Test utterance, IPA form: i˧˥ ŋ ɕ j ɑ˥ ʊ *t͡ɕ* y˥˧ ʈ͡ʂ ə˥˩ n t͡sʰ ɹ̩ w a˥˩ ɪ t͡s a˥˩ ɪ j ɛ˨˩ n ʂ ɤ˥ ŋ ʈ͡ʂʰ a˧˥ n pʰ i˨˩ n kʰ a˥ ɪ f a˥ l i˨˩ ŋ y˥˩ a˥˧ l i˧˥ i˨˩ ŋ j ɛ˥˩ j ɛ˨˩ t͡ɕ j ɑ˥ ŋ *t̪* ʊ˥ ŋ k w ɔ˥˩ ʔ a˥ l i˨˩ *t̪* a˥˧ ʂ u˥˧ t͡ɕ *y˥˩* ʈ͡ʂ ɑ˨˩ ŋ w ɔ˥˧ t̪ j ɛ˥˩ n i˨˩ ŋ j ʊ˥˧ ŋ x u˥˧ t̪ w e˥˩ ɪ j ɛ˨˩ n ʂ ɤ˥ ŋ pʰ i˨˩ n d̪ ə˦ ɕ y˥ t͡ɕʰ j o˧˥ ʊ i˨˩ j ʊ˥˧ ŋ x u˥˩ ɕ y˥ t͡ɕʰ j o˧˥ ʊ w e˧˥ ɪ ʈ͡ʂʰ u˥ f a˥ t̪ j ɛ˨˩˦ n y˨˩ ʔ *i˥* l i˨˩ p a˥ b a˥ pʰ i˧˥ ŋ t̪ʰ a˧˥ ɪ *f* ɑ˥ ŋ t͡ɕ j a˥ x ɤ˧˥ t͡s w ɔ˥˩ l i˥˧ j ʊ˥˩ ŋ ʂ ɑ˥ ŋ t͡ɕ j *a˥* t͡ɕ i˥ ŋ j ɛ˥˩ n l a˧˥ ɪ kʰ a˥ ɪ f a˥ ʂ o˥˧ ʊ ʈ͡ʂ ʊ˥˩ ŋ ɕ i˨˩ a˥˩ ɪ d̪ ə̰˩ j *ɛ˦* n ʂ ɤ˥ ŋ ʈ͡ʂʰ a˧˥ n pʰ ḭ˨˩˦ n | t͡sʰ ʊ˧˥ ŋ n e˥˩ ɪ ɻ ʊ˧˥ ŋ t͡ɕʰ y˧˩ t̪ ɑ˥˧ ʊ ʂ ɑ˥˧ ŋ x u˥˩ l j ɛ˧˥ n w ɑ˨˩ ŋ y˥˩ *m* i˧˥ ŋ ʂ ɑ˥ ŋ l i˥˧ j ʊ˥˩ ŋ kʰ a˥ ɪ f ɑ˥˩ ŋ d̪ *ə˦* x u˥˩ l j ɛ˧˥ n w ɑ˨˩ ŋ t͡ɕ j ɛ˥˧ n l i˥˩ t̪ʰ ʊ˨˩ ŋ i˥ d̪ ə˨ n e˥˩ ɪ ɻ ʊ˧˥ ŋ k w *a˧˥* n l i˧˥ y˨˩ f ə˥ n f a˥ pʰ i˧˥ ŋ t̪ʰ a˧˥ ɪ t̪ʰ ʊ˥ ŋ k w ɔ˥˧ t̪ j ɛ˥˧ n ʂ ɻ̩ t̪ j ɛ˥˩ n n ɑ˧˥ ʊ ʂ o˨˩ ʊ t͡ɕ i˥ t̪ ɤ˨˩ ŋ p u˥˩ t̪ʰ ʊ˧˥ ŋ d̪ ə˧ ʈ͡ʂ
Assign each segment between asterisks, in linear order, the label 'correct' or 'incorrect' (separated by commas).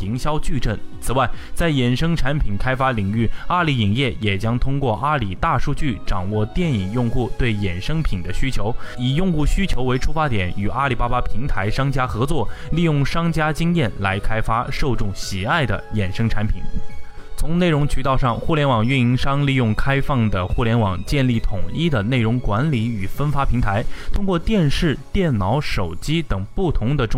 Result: correct, incorrect, correct, correct, incorrect, incorrect, correct, incorrect, incorrect, incorrect, correct